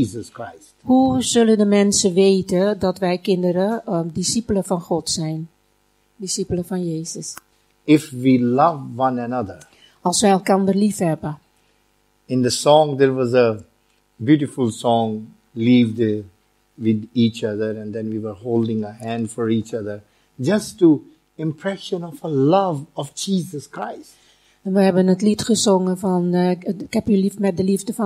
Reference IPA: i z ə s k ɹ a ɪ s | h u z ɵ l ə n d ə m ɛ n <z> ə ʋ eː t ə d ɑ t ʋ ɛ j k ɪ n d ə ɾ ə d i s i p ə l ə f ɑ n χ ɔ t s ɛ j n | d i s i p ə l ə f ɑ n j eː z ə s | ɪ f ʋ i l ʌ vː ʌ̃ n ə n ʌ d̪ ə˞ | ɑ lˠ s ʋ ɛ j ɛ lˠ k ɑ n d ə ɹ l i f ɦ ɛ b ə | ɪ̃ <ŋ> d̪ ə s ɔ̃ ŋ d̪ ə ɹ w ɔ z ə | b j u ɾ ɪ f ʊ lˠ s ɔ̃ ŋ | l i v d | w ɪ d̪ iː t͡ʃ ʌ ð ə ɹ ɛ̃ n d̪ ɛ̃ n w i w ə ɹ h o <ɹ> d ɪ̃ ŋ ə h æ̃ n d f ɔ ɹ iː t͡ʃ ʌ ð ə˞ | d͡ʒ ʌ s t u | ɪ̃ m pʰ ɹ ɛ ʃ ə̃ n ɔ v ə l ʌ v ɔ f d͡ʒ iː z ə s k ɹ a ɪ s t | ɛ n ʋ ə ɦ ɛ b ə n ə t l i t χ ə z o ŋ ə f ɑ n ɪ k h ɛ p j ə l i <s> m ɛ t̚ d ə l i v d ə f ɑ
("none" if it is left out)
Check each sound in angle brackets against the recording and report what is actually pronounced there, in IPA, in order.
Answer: s, n, l, f

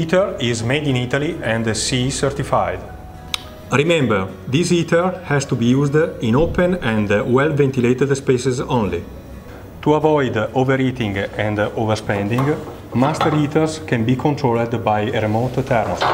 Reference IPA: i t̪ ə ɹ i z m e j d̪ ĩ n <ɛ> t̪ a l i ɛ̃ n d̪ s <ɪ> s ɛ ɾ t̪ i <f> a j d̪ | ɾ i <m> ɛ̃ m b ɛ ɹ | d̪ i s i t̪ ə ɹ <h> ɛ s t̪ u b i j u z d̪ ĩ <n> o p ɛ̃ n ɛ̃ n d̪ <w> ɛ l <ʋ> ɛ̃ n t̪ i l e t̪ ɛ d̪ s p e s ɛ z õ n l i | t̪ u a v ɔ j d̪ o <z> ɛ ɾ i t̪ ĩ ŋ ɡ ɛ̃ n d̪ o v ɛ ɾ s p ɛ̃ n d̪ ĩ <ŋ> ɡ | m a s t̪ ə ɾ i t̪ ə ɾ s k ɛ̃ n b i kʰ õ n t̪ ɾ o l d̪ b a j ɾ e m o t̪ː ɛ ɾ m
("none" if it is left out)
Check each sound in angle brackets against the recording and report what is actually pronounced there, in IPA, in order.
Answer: i, i, f, m, h, n, w, v, v, ŋ

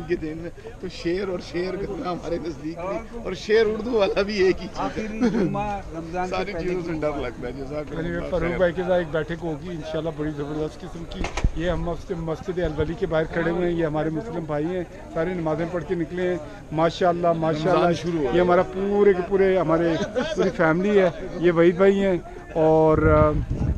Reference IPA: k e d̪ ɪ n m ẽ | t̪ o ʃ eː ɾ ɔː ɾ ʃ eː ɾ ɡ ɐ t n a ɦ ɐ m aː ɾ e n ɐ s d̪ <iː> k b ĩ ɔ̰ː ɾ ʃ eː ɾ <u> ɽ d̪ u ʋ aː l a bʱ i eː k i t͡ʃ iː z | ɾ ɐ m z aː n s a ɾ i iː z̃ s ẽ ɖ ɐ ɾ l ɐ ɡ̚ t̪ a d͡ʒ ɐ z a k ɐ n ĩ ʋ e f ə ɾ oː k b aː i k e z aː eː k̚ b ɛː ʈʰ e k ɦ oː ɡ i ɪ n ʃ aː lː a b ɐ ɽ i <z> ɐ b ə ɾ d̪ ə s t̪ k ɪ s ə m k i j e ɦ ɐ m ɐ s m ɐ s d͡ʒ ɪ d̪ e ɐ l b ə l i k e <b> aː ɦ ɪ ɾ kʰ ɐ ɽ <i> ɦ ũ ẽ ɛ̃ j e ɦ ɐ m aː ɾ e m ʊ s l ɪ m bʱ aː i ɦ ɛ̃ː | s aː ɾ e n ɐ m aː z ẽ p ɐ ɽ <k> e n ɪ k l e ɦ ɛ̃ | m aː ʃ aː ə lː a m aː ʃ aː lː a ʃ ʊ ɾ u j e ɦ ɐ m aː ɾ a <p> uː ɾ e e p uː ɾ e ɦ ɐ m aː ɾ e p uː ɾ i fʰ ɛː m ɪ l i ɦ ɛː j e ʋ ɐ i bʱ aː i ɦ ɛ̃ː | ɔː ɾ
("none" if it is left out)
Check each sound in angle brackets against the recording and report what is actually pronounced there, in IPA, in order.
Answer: iː, ʊ, z, b, e, k, p

